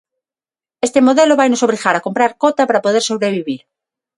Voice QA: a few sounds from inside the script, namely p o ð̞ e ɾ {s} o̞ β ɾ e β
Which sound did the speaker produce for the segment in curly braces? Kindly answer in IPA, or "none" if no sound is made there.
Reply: s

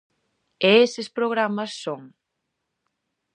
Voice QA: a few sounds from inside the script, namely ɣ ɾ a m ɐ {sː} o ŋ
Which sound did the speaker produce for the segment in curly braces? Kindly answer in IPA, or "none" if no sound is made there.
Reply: sː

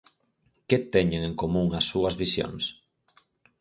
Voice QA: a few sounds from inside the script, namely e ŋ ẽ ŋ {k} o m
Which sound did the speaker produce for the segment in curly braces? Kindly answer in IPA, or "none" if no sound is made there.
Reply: k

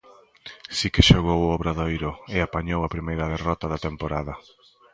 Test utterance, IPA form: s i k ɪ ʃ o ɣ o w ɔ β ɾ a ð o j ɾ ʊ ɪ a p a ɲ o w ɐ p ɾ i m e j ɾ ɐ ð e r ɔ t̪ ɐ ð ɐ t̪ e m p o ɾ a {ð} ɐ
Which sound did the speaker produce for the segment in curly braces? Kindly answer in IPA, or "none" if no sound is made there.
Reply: ð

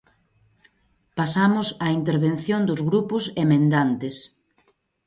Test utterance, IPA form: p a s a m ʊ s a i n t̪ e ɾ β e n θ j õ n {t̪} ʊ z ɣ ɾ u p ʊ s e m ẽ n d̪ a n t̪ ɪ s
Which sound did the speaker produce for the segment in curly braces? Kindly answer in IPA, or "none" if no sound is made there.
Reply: d̪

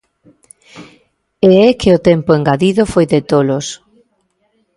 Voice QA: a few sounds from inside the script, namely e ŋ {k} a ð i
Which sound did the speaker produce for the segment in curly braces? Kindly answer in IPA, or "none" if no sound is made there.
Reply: ɡ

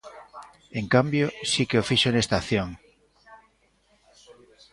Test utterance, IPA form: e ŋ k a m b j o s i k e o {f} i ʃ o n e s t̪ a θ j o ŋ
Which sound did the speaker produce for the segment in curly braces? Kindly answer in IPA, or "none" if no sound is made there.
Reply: f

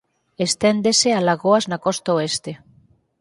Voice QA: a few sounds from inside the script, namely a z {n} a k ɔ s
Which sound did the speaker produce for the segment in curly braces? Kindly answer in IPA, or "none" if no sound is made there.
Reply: n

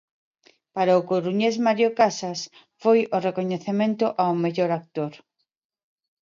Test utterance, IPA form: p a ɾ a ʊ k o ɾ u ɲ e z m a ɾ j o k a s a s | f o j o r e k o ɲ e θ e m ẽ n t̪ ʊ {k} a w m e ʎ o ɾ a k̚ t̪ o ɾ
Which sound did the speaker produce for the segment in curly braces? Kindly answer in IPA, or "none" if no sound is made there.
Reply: ʔ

